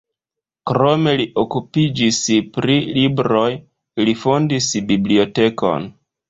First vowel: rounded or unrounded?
rounded